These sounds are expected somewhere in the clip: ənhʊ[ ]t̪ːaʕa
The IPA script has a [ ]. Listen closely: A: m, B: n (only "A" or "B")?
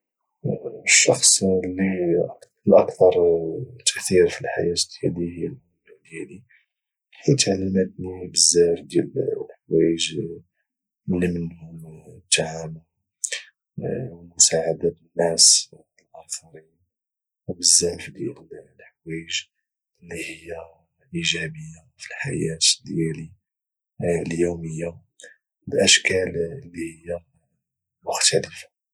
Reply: A